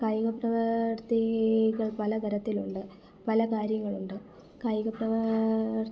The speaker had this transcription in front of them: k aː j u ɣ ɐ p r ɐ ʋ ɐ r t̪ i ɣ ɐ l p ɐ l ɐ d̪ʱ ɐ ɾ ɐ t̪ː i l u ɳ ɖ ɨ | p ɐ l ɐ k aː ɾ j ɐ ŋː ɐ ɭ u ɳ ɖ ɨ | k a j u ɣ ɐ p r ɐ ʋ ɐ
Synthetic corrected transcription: k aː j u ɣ ɐ p r ɐ ʋ ɐ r t̪ i ɣ ɐ ɭ p ɐ l ɐ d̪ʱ ɐ ɾ ɐ t̪ː i l u ɳ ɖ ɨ | p ɐ l ɐ k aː ɾ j ɐ ŋː ɐ ɭ u ɳ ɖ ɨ | k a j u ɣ ɐ p r ɐ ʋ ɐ

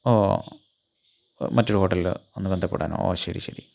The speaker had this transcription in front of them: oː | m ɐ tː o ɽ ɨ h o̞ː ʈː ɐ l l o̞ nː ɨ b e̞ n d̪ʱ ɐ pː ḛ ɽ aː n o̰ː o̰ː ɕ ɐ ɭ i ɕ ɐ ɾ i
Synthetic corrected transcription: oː | m ɐ tː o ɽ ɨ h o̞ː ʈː ɐ l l o̞ nː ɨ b e̞ n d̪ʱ ɐ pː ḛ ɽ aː n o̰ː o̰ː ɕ ɐ ɾ i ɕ ɐ ɾ i

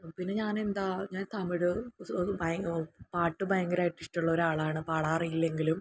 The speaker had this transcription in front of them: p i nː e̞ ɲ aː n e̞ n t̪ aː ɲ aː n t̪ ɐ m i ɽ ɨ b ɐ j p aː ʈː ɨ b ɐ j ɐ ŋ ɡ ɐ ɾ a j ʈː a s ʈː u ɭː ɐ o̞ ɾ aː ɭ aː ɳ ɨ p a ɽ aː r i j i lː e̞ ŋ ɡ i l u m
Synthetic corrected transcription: p i nː e̞ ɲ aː n e̞ n d̪ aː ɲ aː n t̪ ɐ m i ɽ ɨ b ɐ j p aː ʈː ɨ b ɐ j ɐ ŋ ɡ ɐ ɾ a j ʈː i s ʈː u ɭː ɐ o̞ ɾ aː ɭ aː ɳ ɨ p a ɽ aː r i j i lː e̞ ŋ ɡ i l u m

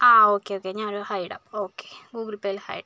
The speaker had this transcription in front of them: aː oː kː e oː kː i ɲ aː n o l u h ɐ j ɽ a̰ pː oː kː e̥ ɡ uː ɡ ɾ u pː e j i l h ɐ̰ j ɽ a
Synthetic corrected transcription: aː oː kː e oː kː e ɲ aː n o ɾ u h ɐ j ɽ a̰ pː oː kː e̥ ɡ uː ɡ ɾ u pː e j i l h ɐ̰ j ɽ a

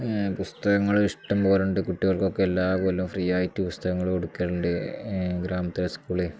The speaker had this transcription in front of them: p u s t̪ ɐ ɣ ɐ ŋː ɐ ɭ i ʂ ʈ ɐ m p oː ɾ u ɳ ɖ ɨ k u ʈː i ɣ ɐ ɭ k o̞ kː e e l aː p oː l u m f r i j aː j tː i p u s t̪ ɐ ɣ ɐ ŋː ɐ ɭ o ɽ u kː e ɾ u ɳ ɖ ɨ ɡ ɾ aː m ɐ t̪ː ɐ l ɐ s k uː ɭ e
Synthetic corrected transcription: p u s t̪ ɐ ɣ ɐ ŋː ɐ ɭ i ʂ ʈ ɐ m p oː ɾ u ɳ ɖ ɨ k u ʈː i ɣ ɐ ɭ k o̞ kː e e lː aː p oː l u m f r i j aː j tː i p u s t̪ ɐ ɣ ɐ ŋː ɐ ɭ o ɽ u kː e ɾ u ɳ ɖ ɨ ɡ ɾ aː m ɐ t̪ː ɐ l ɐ s k uː ɭ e

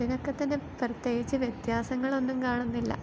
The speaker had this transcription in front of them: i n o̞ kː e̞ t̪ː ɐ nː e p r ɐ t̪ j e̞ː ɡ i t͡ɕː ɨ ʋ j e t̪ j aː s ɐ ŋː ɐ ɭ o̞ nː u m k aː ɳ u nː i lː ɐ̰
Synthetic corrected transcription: i n o̞ kː e̞ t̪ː ɐ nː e p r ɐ t̪ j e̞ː ɡ i t͡ɕː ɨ ʋ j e t̪ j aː s ɐ ŋː ɐ ɭ o̞ nː u m k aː ɳ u nː i lː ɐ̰

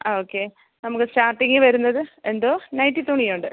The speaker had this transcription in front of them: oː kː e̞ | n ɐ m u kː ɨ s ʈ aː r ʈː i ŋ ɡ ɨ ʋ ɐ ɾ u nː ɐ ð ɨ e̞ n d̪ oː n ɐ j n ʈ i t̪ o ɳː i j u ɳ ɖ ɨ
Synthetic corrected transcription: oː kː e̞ | n ɐ m u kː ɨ s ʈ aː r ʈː i ŋ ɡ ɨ ʋ ɐ ɾ u nː ɐ ð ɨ e̞ n d̪ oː n ɐ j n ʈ i t̪ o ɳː i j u ɳ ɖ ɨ

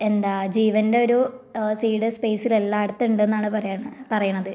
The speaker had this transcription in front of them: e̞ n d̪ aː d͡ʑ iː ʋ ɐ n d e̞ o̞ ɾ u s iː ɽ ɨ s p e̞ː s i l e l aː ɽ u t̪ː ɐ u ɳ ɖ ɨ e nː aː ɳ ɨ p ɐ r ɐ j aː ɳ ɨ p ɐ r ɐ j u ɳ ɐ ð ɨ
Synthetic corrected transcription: e̞ n d̪ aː d͡ʑ iː ʋ ɐ n d e̞ o̞ ɾ u s iː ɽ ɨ s p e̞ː s i l e lː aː ɽ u t̪ː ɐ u ɳ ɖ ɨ e nː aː ɳ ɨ p ɐ r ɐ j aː ɳ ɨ p ɐ r ɐ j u ɳ ɐ ð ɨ

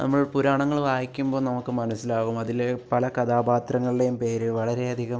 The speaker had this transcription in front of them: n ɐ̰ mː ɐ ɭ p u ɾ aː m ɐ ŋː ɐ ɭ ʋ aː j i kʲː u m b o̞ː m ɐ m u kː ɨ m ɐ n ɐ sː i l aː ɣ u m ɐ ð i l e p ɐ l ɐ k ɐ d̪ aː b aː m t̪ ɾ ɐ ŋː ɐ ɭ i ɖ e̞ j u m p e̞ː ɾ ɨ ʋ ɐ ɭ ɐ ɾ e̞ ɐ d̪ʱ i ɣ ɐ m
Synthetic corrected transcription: n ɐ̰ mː ɐ ɭ p u ɾ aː ɳ ɐ ŋː ɐ ɭ ʋ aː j i kʲː u m b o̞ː n ɐ m u kː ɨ m ɐ n ɐ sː i l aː ɣ u m ɐ ð i l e p ɐ l ɐ k ɐ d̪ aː b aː t̪ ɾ ɐ ŋː ɐ ɭ i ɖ e̞ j u m p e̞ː ɾ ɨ ʋ ɐ ɭ ɐ ɾ e̞ ɐ d̪ʱ i ɣ ɐ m

